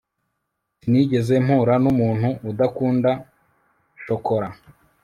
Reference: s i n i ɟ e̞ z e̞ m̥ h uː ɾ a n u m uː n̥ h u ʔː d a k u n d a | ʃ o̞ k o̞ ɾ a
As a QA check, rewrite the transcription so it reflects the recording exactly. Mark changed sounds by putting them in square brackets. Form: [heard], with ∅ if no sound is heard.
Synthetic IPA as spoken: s i n i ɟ e̞ z e̞ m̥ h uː ɾ a n u m uː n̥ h u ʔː d a k [uː] n d a | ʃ o̞ k o̞ ɾ a